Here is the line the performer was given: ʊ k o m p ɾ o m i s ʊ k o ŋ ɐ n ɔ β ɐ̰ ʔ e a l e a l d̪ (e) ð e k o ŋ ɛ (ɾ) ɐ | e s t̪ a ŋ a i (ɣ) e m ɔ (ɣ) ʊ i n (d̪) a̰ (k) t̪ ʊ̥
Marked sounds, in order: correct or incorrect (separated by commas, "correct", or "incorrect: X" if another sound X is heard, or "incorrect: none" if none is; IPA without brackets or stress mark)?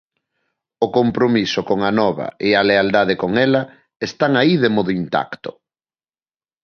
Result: incorrect: a, incorrect: l, incorrect: ð, incorrect: ð, incorrect: t̪, correct